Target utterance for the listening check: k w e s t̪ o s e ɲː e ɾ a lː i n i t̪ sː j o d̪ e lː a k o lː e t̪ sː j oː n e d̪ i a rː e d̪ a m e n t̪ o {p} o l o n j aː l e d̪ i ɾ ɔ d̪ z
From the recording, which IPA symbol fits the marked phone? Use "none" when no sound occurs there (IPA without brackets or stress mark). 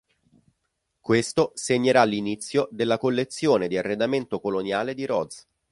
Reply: k